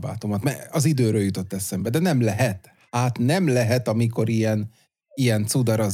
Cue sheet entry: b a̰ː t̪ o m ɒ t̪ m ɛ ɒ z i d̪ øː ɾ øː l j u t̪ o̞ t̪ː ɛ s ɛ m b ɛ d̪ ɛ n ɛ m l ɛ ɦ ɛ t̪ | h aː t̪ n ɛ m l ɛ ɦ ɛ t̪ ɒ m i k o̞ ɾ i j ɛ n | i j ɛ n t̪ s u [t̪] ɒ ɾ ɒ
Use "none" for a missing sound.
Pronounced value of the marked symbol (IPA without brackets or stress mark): d̪